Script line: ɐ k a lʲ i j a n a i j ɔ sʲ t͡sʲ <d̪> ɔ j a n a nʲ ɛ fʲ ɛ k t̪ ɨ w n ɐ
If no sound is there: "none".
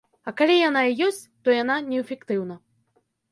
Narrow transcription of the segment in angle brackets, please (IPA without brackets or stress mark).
t̪